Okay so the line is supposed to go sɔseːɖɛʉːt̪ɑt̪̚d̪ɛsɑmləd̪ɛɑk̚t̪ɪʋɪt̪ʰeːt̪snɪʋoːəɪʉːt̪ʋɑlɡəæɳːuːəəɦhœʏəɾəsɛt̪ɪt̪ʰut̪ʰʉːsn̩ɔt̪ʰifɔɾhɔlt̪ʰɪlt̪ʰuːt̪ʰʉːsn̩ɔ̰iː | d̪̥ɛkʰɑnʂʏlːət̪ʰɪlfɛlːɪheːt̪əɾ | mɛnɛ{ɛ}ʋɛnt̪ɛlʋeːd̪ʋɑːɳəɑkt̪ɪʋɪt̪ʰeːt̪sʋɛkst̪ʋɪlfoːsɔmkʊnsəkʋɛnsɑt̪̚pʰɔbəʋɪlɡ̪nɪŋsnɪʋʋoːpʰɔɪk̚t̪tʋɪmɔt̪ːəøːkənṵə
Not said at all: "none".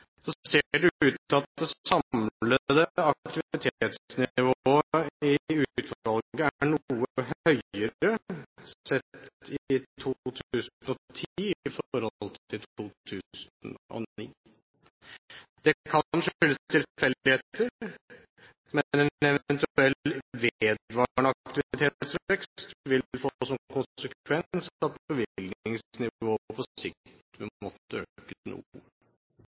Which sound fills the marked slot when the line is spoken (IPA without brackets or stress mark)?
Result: ɛ